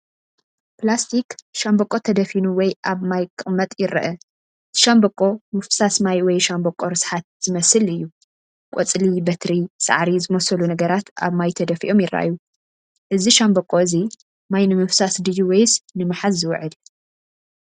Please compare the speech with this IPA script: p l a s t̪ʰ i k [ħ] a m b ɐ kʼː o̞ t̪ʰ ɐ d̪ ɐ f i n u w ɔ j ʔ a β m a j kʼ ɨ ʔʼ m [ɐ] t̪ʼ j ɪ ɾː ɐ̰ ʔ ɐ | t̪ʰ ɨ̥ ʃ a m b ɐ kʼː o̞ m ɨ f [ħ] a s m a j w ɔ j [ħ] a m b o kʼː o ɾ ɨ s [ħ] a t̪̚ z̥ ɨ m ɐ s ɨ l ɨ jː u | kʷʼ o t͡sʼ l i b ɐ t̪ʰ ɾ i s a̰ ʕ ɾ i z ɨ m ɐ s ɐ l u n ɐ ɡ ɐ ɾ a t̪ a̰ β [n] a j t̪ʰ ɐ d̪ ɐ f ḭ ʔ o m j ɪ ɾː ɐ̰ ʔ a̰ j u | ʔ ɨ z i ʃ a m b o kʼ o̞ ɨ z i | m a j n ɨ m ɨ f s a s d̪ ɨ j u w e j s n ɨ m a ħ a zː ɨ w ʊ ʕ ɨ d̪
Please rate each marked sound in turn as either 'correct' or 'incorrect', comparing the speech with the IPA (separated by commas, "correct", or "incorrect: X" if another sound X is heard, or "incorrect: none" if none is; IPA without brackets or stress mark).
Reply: incorrect: ʃ, correct, incorrect: s, incorrect: ʃ, correct, incorrect: m